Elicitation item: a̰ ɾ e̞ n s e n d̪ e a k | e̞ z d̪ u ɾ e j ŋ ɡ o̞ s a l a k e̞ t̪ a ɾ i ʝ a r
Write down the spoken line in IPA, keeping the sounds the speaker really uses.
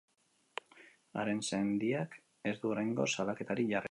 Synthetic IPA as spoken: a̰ ɾ e̞ n s e n d̪ i a k | e̞ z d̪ u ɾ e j ŋ ɡ o̞ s a l a k e̞ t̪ a ɾ i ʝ a r